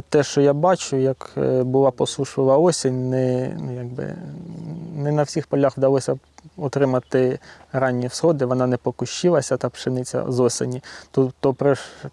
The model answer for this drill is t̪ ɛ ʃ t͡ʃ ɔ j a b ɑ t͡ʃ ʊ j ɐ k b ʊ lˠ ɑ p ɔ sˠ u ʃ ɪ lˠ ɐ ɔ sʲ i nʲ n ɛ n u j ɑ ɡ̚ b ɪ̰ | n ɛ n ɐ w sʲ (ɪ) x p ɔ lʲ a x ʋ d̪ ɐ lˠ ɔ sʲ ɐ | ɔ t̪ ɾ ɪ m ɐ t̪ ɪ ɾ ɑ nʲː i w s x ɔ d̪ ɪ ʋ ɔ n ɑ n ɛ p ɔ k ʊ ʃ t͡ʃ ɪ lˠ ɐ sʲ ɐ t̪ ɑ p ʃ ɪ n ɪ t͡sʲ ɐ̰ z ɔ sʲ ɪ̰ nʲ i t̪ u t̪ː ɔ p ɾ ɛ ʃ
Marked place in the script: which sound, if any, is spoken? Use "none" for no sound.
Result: i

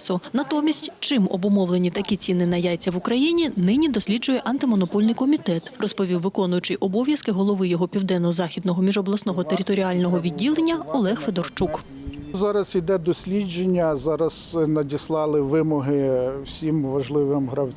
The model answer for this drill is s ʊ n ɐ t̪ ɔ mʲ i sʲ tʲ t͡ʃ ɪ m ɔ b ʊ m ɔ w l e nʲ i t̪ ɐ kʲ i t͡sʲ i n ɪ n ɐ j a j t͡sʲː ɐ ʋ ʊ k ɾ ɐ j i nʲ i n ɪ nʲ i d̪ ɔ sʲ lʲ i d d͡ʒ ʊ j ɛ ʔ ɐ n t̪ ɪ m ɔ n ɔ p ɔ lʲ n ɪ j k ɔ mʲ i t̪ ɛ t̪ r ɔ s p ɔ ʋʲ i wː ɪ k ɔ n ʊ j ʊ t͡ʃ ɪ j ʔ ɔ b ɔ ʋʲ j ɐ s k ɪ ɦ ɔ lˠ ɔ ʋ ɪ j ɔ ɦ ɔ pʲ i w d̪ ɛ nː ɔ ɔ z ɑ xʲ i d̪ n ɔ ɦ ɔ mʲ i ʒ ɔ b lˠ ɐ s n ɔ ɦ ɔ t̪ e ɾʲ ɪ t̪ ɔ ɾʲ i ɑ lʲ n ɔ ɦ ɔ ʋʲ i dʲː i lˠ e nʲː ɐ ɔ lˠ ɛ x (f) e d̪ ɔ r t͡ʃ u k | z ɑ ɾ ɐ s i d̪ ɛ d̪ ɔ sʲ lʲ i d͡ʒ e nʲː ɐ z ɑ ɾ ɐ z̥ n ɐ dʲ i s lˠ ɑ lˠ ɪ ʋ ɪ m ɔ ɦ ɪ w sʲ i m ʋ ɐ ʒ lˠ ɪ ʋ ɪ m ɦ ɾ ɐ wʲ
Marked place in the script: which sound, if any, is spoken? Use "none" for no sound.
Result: f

